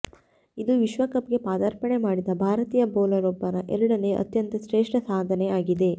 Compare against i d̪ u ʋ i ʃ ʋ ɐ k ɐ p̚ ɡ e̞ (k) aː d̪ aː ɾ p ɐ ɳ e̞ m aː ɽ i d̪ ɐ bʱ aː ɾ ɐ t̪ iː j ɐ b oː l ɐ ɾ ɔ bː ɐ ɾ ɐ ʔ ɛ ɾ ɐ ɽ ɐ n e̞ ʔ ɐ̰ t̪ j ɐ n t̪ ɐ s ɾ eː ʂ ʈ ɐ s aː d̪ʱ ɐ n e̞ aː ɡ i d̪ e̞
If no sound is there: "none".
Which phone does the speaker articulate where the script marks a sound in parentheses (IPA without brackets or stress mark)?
p